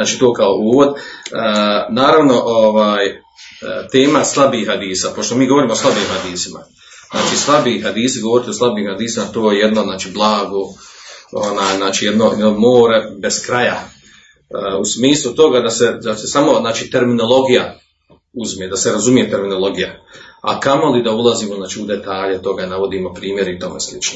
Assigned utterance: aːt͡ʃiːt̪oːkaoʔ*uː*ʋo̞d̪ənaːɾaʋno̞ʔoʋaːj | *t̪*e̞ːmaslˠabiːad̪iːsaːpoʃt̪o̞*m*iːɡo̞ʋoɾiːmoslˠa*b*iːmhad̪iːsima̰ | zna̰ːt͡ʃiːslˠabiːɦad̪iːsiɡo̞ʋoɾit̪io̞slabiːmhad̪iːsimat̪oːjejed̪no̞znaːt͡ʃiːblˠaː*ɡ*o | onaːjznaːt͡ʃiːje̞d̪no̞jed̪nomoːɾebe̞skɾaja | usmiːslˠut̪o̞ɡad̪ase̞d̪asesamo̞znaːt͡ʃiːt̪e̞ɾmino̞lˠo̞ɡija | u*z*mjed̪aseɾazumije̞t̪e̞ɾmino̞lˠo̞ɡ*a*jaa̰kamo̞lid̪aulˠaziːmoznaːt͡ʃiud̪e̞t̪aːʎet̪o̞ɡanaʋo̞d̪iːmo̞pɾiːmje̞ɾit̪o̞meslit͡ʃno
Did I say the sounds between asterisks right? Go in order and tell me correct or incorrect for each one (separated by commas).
correct, correct, correct, correct, correct, correct, incorrect